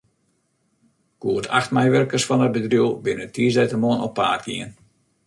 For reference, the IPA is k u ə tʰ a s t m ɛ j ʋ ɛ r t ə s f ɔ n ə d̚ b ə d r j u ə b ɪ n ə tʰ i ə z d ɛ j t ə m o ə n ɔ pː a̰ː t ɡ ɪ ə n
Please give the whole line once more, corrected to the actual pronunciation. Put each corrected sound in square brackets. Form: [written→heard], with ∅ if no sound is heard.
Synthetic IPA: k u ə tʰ a [s→x] t m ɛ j ʋ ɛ r [t→k] ə s f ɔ n ə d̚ b ə d r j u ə b ɪ n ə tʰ i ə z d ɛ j t ə m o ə n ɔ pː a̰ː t ɡ [ɪ→i] ə n